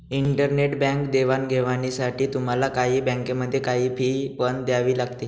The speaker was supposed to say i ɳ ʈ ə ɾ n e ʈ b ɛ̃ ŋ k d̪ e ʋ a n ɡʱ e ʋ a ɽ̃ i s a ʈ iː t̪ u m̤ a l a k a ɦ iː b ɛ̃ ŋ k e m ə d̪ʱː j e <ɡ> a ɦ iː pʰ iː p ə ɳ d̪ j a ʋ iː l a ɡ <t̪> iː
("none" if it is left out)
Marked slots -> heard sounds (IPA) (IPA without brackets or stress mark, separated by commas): k, t̪